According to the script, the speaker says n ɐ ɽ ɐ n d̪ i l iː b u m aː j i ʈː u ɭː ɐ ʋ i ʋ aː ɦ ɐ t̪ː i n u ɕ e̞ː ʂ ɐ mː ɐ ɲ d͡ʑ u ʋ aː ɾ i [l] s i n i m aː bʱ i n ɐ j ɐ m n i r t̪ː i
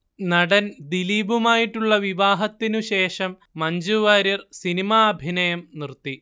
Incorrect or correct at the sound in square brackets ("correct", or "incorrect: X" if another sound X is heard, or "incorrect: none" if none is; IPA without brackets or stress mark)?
incorrect: r